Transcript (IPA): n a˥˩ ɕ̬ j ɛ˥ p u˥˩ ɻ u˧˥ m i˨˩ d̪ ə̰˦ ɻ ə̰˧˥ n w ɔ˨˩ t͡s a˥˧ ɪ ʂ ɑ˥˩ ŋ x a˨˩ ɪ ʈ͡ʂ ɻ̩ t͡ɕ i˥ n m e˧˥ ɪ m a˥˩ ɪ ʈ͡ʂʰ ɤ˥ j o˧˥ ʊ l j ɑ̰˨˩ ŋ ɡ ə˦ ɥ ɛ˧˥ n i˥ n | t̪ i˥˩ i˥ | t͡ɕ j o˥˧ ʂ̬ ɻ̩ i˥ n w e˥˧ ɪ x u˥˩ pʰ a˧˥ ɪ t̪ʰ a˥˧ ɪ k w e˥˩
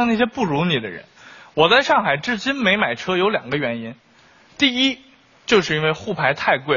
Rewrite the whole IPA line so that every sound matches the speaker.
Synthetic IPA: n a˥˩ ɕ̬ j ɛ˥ p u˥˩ ɻ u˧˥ n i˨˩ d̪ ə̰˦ ɻ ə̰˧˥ n w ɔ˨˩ t͡s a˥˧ ɪ ʂ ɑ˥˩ ŋ x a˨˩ ɪ ʈ͡ʂ ɻ̩ t͡ɕ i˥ n m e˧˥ ɪ m a˨˩ ɪ ʈ͡ʂʰ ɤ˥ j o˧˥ ʊ l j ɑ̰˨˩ ŋ ɡ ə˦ ɥ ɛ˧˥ n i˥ n | t̪ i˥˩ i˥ | t͡ɕ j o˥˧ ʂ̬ ɻ̩ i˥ n w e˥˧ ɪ x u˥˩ pʰ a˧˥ ɪ t̪ʰ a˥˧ ɪ k w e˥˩